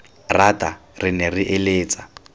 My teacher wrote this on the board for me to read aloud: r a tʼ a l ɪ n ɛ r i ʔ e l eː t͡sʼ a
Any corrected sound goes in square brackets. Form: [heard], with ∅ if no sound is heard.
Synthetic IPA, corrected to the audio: r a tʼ a [r] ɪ n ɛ r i ʔ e l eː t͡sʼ a